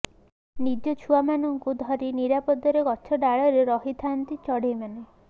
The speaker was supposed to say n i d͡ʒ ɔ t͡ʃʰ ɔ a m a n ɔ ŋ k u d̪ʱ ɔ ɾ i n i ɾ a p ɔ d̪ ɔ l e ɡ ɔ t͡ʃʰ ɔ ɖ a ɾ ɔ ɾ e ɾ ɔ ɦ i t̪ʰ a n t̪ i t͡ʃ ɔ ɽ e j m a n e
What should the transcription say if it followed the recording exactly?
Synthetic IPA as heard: n i d͡ʒ ɔ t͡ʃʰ u a m a n ɔ ŋ k u d̪ʱ ɔ ɾ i n i ɾ a p ɔ d̪ ɔ ɾ e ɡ ɔ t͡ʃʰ ɔ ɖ a ɭ ɔ ɾ e ɾ ɔ ɦ i t̪ʰ a n t̪ i t͡ʃ ɔ ɽ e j m a n e

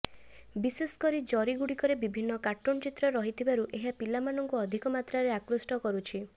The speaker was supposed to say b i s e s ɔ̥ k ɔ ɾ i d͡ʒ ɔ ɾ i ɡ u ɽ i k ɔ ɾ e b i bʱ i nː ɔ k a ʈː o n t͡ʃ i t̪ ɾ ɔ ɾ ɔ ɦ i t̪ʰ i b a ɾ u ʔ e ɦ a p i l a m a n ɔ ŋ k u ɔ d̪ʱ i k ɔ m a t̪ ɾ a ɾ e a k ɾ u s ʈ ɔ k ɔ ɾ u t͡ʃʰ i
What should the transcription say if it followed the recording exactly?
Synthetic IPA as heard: b i s e s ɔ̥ k ɔ ɾ i d͡ʒ ɔ ɾ i ɡ u ɽ i k ɔ ɾ e b i bʱ i nː ɔ k a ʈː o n t͡ʃ i t̪ ɾ ɔ ɾ ɔ ɦ i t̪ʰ i b a ɾ u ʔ e ɦ a p i l a m a n ɔ ŋ k u ɔ d̪ʱ i k ɔ m a t̪ ɾ a ɾ e a k ɾ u s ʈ ɔ k ɔ ɾ u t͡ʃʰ i

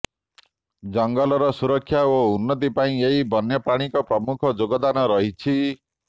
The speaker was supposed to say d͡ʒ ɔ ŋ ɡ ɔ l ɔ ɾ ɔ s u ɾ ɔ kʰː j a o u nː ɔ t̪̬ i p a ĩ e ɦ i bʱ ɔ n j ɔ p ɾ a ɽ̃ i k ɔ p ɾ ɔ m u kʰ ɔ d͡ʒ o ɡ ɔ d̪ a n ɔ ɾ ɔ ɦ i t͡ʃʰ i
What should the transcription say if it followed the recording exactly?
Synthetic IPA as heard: d͡ʒ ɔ ŋ ɡ ɔ l ɔ ɾ ɔ s u ɾ ɔ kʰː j a o u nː ɔ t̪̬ i p a ĩ e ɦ i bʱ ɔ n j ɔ p ɾ a ɽ̃ i k ɔ p ɾ ɔ m u kʰ ɔ d͡ʒ o ɡ ɔ d̪ a n ɔ ɾ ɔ ɦ i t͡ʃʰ i

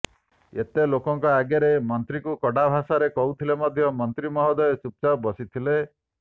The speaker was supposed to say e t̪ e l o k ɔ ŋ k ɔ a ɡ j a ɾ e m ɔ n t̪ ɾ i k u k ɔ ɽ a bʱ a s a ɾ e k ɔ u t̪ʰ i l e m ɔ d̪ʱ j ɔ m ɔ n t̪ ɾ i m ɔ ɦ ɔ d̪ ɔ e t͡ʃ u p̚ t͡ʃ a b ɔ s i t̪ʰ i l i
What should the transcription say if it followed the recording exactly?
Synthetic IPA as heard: e t̪ e l o k ɔ ŋ k ɔ a ɡ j a ɾ e m ɔ n t̪ ɾ i k u k ɔ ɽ a bʱ a s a ɾ e k ɔ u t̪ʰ i l e m ɔ d̪ʱ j ɔ m ɔ n t̪ ɾ i m ɔ ɦ ɔ d̪ ɔ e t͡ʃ u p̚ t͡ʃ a b ɔ s i t̪ʰ i l e

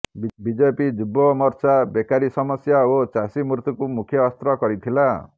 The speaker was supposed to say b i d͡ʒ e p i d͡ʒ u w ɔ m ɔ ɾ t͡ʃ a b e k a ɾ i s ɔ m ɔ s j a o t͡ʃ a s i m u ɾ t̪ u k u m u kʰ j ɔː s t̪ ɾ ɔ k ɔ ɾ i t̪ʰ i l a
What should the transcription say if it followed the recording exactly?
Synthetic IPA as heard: b i d͡ʒ e p i d͡ʒ u b ɔ m ɔ ɾ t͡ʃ a b e k a ɾ i s ɔ m ɔ s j a o t͡ʃ a s i m u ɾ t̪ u k u m u kʰ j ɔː s t̪ ɾ ɔ k ɔ ɾ i t̪ʰ i l a

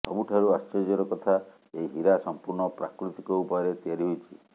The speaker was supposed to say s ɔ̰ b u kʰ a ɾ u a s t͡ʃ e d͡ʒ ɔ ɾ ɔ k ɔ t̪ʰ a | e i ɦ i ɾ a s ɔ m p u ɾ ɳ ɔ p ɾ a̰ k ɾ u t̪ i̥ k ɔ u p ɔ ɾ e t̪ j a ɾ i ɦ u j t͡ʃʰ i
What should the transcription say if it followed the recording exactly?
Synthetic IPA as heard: s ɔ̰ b u ʈʰ a ɾ u a s t͡ʃ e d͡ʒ ɔ ɾ ɔ k ɔ t̪ʰ a | e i ɦ i ɾ a s ɔ m p u ɾ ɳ ɔ p ɾ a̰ k ɾ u t̪ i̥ k ɔ u p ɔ ɾ e t̪ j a ɾ i ɦ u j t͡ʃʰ i

